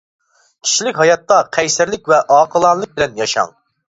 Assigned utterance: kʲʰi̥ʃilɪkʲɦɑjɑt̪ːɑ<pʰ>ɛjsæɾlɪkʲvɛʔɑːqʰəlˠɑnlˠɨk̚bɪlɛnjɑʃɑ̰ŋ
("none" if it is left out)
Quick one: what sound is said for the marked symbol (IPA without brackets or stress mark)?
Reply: qʰ